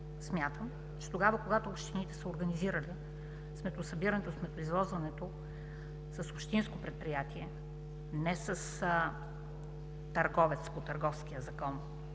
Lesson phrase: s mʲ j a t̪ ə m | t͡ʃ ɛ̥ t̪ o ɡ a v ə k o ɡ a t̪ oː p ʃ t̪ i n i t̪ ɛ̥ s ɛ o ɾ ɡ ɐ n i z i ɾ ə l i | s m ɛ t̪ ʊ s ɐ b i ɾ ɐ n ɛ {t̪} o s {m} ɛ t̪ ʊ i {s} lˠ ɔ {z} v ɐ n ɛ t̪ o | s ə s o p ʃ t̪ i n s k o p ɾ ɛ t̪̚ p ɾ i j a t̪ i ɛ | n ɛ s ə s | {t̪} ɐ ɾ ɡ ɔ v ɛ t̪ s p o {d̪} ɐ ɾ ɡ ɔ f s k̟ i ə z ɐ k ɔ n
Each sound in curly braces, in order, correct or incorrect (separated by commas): correct, correct, incorrect, correct, correct, incorrect